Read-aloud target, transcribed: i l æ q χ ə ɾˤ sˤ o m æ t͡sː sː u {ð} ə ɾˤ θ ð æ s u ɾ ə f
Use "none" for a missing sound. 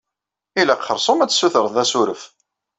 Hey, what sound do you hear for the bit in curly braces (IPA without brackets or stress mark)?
θ